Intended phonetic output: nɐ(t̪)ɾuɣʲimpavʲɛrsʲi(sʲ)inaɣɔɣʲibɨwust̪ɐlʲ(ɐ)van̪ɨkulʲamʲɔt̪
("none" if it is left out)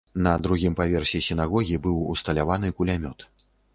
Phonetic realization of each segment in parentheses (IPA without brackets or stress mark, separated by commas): d̪, sʲ, a